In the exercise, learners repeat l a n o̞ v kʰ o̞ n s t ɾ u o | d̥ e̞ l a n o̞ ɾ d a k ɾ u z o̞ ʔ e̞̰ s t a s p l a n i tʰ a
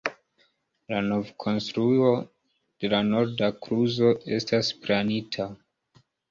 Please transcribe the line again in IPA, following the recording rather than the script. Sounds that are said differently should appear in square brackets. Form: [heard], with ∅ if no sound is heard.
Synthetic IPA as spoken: l a n o̞ v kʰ o̞ n s t ɾ u o | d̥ e̞ l a n o̞ ɾ d a k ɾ u z o̞ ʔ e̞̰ s t a s p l a n i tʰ a